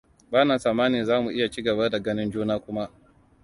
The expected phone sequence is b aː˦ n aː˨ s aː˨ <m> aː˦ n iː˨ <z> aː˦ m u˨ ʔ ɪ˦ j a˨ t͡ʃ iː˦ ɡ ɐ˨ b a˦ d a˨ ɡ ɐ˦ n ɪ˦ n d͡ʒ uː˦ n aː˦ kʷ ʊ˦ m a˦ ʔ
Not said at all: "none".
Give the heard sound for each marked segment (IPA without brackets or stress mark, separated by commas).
m, z